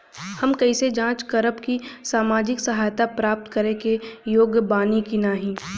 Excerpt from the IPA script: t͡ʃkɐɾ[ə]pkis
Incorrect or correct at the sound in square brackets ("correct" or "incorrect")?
correct